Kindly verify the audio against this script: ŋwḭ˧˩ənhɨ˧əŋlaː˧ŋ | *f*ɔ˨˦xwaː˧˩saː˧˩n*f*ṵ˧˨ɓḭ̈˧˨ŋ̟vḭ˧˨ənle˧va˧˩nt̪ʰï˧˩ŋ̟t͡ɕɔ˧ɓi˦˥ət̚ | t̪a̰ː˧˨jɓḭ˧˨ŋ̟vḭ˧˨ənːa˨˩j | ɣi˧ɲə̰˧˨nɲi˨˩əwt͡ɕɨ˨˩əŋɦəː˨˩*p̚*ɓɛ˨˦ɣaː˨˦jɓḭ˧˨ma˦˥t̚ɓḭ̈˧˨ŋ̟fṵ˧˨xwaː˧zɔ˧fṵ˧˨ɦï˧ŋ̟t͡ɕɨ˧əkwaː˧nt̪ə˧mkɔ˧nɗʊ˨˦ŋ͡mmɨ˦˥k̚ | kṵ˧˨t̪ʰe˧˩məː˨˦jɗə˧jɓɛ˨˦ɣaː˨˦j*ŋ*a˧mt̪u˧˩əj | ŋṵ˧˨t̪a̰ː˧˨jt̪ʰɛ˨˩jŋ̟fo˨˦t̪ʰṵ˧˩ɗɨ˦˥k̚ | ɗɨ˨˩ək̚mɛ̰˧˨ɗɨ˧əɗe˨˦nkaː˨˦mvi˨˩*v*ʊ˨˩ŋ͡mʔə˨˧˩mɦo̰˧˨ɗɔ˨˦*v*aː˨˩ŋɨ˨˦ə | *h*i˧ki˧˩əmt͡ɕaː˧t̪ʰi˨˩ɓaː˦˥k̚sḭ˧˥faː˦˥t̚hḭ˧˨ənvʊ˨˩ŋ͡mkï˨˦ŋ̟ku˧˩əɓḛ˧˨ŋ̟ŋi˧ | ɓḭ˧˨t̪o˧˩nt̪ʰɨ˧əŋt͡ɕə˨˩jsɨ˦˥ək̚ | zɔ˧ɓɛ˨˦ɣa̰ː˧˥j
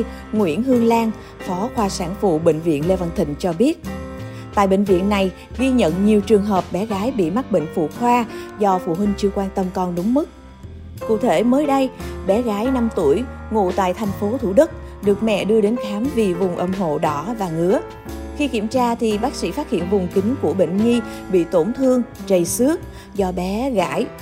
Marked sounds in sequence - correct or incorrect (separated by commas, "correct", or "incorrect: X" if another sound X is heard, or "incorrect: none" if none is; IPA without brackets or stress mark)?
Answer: correct, correct, correct, incorrect: n, correct, correct, incorrect: x